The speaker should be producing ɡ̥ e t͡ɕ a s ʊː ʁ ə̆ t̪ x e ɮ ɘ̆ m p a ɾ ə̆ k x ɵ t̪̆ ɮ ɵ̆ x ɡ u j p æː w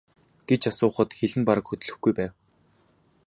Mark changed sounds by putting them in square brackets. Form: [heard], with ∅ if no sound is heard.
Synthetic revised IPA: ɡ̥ e t͡ɕ a s ʊː [χ] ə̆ t̪ x e ɮ ɘ̆ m p a ɾ ə̆ k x ɵ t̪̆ ɮ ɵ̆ x ɡ u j p æː w